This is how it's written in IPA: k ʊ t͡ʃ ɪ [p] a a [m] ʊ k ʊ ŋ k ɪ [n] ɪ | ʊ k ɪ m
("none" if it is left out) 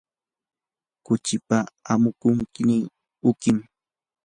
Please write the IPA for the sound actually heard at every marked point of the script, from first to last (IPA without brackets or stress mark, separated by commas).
p, m, n